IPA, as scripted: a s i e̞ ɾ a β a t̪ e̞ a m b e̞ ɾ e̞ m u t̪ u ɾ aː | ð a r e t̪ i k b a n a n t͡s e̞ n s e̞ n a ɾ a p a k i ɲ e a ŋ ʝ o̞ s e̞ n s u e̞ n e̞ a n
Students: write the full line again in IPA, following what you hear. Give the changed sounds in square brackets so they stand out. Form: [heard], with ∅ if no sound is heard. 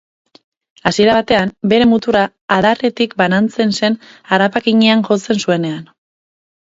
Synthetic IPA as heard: a s i e̞ ɾ a β a t̪ e̞ a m b e̞ ɾ e̞ m u t̪ u ɾ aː | ð a r e t̪ i k b a n a n t͡s e̞ n s e̞ n a ɾ a p a k i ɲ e a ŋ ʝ o̞ [t͡s] e̞ n s u e̞ n e̞ a n